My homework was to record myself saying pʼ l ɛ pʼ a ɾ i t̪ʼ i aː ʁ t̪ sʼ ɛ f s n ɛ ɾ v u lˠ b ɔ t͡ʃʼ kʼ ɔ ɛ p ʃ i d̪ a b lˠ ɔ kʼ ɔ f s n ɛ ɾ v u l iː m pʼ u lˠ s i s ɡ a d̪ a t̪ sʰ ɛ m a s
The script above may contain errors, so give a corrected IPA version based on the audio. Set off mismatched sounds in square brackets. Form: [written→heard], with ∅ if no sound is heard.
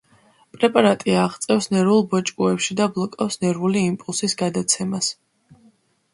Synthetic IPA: pʼ [l→ɾ] ɛ pʼ a ɾ [i→a] t̪ʼ i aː ʁ t̪ sʼ ɛ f s n ɛ ɾ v u lˠ b ɔ t͡ʃʼ kʼ [ɔ→u] ɛ p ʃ i d̪ a b lˠ ɔ kʼ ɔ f s n ɛ ɾ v u l iː m pʼ u lˠ s i s ɡ a d̪ a t̪ sʰ ɛ m a s